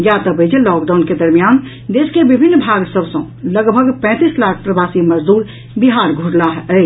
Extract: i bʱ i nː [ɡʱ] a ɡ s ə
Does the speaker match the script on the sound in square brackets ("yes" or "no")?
no